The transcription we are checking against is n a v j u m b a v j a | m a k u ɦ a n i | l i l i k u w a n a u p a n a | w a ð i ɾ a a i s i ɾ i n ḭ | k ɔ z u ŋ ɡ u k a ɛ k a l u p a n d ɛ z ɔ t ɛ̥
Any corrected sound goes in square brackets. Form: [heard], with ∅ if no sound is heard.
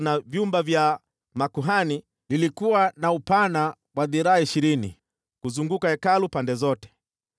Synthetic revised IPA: n a v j u m b a v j a | m a k u ɦ a n i | l i l i k u w a n a u p a n a | w a ð i ɾ a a i [ʃ] i ɾ i n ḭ | k [u] z u ŋ ɡ u k a ɛ k a l u p a n d ɛ z ɔ t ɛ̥

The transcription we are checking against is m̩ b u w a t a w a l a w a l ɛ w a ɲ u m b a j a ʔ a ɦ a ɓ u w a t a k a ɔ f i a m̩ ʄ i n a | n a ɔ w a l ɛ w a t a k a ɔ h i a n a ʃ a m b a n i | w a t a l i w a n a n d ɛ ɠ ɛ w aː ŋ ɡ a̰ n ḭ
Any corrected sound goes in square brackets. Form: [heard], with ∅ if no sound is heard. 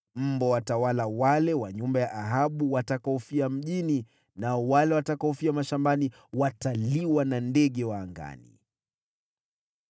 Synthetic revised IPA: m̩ b [ɔ] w a t a w a l a w a l ɛ w a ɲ u m b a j a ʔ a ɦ a ɓ u w a t a k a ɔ f i a m̩ ʄ i n [i] | n a ɔ w a l ɛ w a t a k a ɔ [f] i a [m] a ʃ a m b a n i | w a t a l i w a n a n d ɛ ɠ ɛ w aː ŋ ɡ a̰ n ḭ

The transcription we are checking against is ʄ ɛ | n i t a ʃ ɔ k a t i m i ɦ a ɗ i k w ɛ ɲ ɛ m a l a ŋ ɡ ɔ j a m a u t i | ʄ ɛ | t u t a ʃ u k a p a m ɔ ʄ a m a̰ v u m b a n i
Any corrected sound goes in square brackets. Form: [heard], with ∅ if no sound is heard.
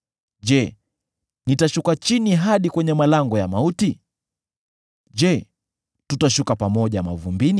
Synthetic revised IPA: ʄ ɛ | n i t a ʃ [u] k a [t͡ʃ] i [n] i ɦ a ɗ i k w ɛ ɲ ɛ m a l a ŋ ɡ ɔ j a m a u t i | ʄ ɛ | t u t a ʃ u k a p a m ɔ ʄ a m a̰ v u m b [i] n i

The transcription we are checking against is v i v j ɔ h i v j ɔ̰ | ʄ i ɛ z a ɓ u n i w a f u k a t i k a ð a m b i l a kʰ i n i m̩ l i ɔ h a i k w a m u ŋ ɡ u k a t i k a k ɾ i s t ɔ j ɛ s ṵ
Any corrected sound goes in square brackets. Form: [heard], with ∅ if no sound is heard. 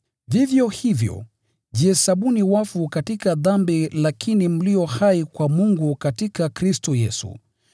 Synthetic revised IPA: v i v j ɔ h i v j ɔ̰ | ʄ i ɛ [s] a ɓ u n i w a f u k a t i k a ð a m b i l a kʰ i n i m̩ l i ɔ h a i k w a m u ŋ ɡ u k a t i k a k ɾ i s t ɔ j ɛ s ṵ

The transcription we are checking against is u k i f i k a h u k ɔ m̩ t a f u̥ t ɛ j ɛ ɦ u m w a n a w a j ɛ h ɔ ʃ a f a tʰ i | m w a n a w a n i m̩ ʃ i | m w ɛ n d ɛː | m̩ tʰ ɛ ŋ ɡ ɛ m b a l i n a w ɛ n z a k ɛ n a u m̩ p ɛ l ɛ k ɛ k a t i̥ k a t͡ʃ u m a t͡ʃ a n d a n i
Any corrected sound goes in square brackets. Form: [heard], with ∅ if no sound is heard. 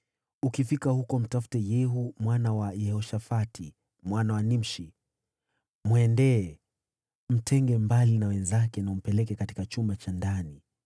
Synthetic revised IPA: u k i f i k a h u k ɔ m̩ t a f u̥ t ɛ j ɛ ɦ u m w a n a w a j ɛ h ɔ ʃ a f a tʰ i | m w a n a w a n i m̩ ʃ i | m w ɛ n d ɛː | m̩ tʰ ɛ ŋ ɡ ɛ m b a l i n a w ɛ n z a k ɛ n a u m̩ p ɛ l ɛ k ɛ k a t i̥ k a t͡ʃ u m a t͡ʃ a n d a n i

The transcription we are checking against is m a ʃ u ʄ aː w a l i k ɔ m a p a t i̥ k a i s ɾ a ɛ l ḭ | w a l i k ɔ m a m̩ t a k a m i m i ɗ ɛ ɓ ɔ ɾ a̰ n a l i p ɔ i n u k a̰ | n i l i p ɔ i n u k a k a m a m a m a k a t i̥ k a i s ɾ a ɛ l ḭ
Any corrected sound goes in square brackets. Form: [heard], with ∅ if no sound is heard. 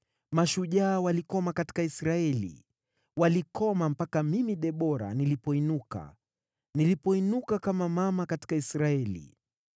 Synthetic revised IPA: m a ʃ u ʄ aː w a l i k ɔ m a [k] a t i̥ k a i s ɾ a ɛ l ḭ | w a l i k ɔ m a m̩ [p] a k a m i m i ɗ ɛ ɓ ɔ ɾ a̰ n [i] l i p ɔ i n u k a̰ | n i l i p ɔ i n u k a k a m a m a m a k a t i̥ k a i s ɾ a ɛ l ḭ

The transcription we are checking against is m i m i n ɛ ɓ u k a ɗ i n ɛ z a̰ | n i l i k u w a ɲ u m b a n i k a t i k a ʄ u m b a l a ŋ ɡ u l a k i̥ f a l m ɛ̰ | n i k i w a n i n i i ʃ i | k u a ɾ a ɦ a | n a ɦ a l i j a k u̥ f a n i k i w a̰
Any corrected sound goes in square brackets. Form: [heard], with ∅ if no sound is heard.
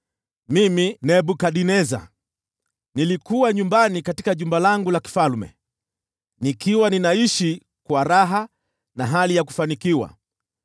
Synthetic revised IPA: m i m i n ɛ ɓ u k a ɗ i n ɛ z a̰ | n i l i k u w a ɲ u m b a n i k a t i k a ʄ u m b a l a ŋ ɡ u l a k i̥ f a l m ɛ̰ | n i k i w a n i n [a] i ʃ i | k [w] a ɾ a ɦ a | n a ɦ a l i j a k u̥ f a n i k i w a̰

